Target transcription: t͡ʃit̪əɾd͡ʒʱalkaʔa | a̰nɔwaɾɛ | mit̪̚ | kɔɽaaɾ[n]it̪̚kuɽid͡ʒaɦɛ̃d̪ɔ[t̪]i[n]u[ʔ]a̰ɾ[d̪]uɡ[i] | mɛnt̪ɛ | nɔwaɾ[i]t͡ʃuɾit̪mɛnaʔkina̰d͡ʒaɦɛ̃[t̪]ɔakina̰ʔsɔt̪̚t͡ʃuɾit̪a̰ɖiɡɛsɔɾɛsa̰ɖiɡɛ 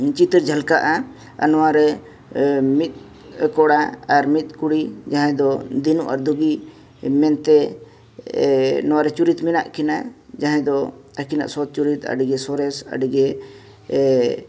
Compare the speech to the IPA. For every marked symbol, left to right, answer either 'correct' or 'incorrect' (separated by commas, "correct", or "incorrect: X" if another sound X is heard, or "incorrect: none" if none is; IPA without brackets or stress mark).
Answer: incorrect: m, incorrect: d̪, correct, correct, correct, correct, incorrect: ɛ, incorrect: d̪